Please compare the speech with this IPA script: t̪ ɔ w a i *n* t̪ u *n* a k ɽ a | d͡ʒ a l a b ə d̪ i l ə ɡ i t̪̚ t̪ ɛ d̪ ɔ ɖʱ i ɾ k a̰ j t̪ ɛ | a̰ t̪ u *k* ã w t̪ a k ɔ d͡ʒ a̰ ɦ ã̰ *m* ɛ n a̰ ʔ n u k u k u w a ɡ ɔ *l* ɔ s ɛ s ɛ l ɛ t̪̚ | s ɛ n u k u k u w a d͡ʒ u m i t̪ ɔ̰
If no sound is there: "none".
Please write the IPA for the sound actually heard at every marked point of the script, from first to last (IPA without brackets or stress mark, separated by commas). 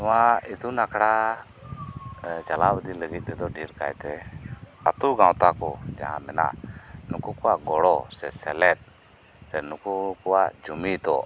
none, n, ɡ, m, ɽ